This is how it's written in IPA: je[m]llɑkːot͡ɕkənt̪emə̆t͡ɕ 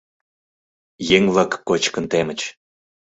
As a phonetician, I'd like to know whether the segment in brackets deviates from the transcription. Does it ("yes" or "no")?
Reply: yes